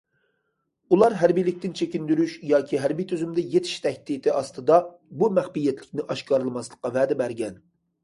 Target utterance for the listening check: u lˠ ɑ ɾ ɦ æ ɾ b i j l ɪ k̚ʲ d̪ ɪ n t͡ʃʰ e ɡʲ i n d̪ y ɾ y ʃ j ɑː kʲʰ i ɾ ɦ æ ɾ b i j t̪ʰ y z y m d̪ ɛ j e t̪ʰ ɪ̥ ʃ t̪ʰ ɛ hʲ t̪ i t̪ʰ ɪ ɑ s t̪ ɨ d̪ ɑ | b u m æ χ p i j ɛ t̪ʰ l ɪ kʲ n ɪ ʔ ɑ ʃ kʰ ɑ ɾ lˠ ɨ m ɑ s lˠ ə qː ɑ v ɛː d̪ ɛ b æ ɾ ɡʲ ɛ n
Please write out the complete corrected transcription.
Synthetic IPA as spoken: u lˠ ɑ ɾ ɦ æ ɾ b i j l ɪ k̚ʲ t̪ ɪ n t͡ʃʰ e kʲ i n d̪ y ɾ y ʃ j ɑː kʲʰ i ɦ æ ɾ b i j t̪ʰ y z y m d̪ ɛ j e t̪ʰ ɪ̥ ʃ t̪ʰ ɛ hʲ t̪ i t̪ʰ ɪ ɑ s t̪ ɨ d̪ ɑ | b u m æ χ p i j ɛ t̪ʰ l ɪ kʲ n ɪ ʔ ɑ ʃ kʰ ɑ ɾ lˠ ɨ m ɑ s lˠ ə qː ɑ v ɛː d̪ ɛ b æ ɾ ɡʲ ɛ n

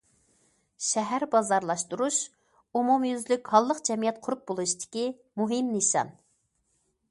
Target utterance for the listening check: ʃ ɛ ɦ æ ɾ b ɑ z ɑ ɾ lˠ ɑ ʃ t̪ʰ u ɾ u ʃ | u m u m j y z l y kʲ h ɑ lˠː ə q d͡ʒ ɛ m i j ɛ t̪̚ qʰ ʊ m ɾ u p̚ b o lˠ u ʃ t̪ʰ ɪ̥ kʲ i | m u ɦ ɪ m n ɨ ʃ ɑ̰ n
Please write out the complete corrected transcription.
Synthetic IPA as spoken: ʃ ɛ ɦ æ ɾ b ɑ z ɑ ɾ lˠ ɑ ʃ t̪ u ɾ u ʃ | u m u m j y z l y kʲ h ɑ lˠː ə q d͡ʒ ɛ m i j ɛ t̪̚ qʰ ʊ ɾ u p̚ b o lˠ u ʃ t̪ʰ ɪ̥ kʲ i | m u ɦ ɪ m n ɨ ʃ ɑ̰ n

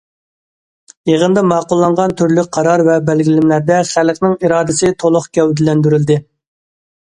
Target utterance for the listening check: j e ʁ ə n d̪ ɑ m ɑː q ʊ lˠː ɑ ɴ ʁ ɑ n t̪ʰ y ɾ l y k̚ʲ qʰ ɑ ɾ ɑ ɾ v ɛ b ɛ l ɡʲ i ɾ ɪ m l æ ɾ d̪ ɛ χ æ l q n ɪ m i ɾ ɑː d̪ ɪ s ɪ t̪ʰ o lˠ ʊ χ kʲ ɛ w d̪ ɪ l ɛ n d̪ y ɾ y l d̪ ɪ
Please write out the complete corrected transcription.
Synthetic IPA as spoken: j e ʁ ə n d̪ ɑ m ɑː q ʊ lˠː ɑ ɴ ʁ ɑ n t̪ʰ y ɾ l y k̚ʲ qʰ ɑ ɾ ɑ ɾ v ɛ b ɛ l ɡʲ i l ɪ m l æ ɾ d̪ ɛ χ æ l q n ɪ ŋ i ɾ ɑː d̪ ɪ s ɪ t̪ʰ o lˠ ʊ χ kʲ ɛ w d̪ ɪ l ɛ n d̪ y ɾ y l d̪ ɪ

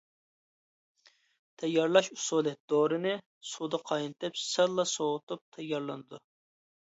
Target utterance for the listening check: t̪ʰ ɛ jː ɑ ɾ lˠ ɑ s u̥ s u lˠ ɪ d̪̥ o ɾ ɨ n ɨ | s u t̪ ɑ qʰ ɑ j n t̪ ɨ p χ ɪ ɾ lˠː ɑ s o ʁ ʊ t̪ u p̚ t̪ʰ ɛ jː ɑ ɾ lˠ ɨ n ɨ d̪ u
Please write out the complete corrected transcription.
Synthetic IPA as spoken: t̪ʰ ɛ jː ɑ ɾ lˠ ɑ ʃ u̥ s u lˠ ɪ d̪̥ o ɾ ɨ n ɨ | s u d̪ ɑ qʰ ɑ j n t̪ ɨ p s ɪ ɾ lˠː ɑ s o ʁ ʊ t̪ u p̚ t̪ʰ ɛ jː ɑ ɾ lˠ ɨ n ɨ d̪ u

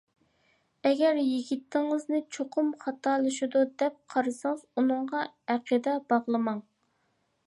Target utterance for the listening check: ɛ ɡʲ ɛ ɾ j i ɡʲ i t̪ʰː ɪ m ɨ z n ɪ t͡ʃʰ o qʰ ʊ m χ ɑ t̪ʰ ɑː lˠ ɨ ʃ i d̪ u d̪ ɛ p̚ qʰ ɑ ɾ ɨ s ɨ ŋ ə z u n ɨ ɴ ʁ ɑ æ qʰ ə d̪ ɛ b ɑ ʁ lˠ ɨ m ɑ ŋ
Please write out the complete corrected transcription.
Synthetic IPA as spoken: ɛ ɡʲ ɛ ɾ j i ɡʲ i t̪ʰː ɪ ŋ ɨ z n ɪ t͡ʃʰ o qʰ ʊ m χ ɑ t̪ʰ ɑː lˠ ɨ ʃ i d̪ u d̪ ɛ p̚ qʰ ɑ ɾ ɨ s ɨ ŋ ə z u n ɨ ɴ ʁ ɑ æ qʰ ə d̪ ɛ b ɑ ʁ lˠ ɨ m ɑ ŋ

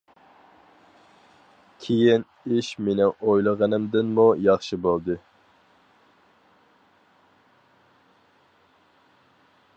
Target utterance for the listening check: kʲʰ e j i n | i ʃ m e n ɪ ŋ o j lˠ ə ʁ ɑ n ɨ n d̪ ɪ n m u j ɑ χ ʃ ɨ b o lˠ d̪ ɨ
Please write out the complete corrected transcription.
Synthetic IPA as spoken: kʲʰ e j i n | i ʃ m e n ɪ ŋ o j lˠ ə ʁ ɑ n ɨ m d̪ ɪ n m u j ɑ χ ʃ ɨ b o lˠ d̪ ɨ

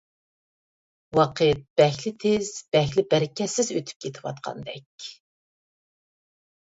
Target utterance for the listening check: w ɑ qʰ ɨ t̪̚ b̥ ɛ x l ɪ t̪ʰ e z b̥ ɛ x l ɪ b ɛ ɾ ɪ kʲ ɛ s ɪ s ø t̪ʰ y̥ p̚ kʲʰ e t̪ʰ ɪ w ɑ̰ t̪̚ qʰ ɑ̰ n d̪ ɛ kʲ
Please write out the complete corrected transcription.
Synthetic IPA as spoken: w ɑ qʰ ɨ t̪̚ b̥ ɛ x l ɪ t̪ʰ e z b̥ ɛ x l ɪ b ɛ ɾ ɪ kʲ ɛ s ɪ z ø t̪ʰ y̥ p̚ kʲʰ e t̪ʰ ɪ w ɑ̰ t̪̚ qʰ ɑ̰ n d̪ ɛ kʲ

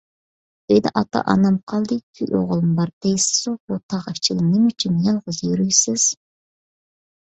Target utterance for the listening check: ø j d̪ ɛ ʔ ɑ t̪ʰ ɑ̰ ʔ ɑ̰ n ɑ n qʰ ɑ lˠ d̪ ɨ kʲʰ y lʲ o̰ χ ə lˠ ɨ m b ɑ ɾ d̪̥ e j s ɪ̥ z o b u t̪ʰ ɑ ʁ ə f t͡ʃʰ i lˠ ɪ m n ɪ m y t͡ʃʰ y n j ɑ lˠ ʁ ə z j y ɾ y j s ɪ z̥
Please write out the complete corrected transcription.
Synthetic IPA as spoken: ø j d̪ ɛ ʔ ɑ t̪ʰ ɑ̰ ʔ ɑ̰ n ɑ m qʰ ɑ lˠ d̪ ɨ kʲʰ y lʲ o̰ ʁ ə lˠ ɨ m b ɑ ɾ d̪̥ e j s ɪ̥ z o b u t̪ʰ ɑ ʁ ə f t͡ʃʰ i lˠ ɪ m n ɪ m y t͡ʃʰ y n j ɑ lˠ ʁ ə z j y ɾ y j s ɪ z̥

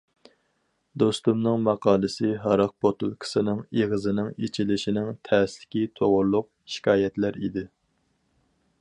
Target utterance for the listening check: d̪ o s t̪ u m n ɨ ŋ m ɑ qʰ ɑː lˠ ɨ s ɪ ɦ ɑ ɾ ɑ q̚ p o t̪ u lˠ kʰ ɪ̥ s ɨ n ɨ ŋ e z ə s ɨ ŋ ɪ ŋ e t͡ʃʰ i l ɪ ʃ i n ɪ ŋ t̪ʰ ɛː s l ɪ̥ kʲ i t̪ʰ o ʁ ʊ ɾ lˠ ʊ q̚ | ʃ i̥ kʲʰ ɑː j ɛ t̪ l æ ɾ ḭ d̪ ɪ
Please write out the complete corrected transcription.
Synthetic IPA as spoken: d̪ o s t̪ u m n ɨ ŋ m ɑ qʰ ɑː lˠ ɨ s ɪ ɦ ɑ ɾ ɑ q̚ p o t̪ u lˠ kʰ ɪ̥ s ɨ n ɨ ŋ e ʁ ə z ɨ n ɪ ŋ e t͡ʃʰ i l ɪ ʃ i n ɪ ŋ t̪ʰ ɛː s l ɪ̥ kʲ i t̪ʰ o ʁ ʊ ɾ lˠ ʊ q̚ | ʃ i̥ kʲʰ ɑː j ɛ t̪ l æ ɾ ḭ d̪ ɪ

